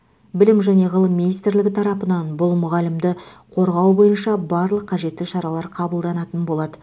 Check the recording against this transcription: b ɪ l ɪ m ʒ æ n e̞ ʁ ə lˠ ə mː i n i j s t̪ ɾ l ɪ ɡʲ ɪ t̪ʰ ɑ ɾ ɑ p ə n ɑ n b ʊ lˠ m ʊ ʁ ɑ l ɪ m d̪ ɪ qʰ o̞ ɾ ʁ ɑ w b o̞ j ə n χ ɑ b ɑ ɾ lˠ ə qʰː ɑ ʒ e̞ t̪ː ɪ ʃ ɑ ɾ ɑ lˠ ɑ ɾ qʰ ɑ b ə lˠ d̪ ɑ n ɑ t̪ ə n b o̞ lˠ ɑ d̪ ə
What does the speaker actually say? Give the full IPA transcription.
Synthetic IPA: b ɪ l ɪ m ʒ æ n e̞ ʁ ə lˠ ə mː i n i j s t̪ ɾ l ɪ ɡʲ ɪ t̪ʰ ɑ ɾ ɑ p ə n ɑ n b ʊ lˠ m ʊ ʁ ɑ l ɪ m d̪ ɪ qʰ o̞ ɾ ʁ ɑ w b o̞ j ə n ʃ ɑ b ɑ ɾ lˠ ə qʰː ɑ ʒ e̞ t̪ː ɪ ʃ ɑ ɾ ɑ lˠ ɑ ɾ qʰ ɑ b ə lˠ d̪ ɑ n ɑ t̪ ə n b o̞ lˠ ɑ d̪ ə